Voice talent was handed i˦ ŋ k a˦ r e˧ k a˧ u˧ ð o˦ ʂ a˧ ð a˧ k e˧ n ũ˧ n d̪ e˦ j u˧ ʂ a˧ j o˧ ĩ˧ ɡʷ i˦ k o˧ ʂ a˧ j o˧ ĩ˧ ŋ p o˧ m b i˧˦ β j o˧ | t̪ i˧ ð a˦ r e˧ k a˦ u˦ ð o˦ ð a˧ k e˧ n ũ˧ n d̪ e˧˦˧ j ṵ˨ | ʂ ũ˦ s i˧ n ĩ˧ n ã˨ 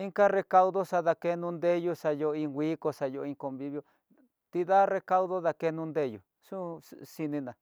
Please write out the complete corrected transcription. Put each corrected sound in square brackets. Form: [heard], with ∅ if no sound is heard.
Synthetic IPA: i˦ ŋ k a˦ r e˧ k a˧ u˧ ð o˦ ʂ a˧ ð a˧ k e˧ n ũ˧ n d̪ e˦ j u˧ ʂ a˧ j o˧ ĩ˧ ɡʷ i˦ k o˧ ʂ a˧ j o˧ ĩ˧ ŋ [k] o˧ m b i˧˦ β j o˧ | t̪ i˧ ð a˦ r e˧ k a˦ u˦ ð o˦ ð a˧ k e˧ n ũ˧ n d̪ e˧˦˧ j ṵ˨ | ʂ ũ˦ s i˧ n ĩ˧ n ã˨